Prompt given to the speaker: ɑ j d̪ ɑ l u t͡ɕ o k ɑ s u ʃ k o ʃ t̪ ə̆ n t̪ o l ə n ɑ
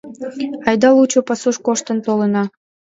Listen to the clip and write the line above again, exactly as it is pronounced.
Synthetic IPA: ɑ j d̪ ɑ l u t͡ɕ o p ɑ s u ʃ k o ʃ t̪ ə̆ n t̪ o l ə n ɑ